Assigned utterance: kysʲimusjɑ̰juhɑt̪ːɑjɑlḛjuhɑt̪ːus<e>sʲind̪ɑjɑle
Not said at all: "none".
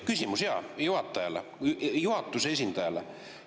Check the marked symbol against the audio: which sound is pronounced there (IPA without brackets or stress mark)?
e